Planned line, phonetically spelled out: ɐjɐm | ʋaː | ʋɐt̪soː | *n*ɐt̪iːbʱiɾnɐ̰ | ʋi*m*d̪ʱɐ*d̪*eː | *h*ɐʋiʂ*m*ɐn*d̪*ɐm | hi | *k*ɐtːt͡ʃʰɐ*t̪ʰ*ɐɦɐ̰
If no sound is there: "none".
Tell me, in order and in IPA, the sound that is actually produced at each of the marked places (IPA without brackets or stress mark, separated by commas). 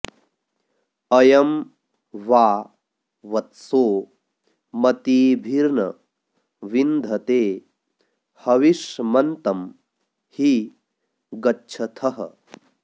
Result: m, n, t̪, h, m, t̪, ɡ, t̪ʰ